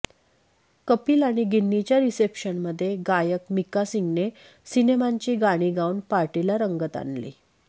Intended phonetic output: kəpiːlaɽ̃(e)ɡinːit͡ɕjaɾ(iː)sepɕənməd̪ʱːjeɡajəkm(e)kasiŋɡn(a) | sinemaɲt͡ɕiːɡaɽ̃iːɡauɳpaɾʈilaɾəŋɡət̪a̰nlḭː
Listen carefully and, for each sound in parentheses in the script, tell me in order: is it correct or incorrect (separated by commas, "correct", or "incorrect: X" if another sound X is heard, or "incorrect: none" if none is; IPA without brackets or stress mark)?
incorrect: i, incorrect: i, incorrect: i, incorrect: e